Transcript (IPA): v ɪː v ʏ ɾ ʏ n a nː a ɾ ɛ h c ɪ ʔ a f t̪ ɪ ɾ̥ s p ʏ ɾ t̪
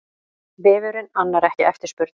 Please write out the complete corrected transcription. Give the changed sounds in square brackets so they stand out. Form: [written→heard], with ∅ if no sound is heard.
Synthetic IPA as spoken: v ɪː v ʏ ɾ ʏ n a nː a ɾ ɛ h c ɪ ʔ [a→ɛ] f t̪ ɪ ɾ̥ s p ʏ ɾ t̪